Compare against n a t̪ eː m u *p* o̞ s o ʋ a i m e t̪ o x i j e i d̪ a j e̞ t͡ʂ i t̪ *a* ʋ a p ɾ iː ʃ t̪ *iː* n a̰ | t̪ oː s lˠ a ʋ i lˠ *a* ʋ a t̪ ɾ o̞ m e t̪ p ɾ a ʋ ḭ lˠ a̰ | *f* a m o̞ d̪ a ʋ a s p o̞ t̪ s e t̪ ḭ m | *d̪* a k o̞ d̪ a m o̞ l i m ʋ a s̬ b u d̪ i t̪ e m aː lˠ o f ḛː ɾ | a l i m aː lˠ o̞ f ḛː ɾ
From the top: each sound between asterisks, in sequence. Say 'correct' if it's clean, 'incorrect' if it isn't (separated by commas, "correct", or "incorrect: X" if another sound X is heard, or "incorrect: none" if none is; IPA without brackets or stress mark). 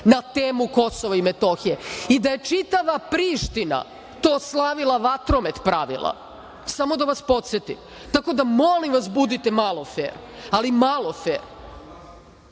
incorrect: k, correct, incorrect: i, correct, incorrect: s, incorrect: t̪